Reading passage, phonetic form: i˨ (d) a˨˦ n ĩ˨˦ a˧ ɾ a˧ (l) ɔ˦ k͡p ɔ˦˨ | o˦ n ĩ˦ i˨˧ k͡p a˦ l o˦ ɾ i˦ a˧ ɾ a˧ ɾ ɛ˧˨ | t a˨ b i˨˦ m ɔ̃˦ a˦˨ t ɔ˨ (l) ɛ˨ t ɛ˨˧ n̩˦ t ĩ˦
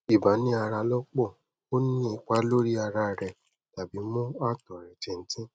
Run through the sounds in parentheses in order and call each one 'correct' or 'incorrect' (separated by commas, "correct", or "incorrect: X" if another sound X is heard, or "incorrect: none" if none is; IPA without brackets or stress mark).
incorrect: b, correct, incorrect: ɾ